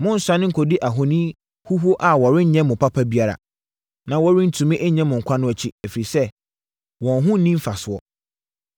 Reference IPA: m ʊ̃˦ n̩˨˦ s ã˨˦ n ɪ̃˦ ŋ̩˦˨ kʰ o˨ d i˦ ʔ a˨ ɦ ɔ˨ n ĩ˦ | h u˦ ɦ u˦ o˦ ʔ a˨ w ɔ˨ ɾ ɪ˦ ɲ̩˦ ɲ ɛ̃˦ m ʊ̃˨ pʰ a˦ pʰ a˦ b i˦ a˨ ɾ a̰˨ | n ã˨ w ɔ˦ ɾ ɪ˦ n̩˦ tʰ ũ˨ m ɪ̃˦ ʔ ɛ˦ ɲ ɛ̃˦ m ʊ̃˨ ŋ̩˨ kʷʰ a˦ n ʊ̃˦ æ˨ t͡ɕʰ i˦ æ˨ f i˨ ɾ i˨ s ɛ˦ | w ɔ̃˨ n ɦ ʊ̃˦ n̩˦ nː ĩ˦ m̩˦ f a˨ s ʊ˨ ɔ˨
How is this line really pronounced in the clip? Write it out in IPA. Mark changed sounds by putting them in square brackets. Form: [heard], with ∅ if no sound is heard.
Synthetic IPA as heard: m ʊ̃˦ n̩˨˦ s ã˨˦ n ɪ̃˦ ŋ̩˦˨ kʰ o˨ d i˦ ʔ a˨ ɦ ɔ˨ n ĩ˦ | h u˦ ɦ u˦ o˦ ʔ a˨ w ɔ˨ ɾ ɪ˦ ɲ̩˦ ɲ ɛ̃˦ m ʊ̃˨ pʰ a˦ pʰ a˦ b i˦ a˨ ɾ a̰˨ | n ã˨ w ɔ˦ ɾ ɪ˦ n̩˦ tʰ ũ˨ m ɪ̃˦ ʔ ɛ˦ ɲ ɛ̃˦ m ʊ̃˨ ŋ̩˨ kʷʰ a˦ n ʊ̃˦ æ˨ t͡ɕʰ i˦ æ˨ f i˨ ɾ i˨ s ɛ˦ | w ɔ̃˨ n ɦ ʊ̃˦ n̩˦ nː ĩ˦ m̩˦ f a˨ s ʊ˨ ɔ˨